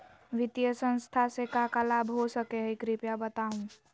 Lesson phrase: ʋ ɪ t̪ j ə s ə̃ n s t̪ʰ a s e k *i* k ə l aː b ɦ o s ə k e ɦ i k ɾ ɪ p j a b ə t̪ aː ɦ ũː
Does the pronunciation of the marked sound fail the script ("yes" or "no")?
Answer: yes